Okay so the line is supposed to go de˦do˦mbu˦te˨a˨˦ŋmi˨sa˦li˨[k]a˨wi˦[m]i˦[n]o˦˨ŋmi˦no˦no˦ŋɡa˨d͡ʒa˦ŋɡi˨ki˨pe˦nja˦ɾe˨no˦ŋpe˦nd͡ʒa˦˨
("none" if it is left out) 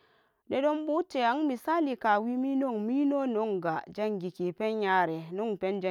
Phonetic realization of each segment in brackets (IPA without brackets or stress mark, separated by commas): k, m, n